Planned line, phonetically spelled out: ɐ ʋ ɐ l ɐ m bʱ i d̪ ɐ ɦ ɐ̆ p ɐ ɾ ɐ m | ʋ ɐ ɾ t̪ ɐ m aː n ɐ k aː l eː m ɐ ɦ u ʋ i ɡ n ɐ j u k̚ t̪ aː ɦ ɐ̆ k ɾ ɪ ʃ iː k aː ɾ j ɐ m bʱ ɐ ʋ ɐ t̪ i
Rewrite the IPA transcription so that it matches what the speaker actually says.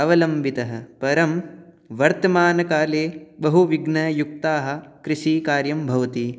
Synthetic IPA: ɐ ʋ ɐ l ɐ m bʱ i t̪ ɐ ɦ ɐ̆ p ɐ ɾ ɐ m | ʋ ɐ ɾ t̪ ɐ m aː n ɐ k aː l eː b ɐ ɦ u ʋ i ɡ n ɐ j u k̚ t̪ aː ɦ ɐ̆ k ɾ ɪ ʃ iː k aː ɾ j ɐ m bʱ ɐ ʋ ɐ t̪ i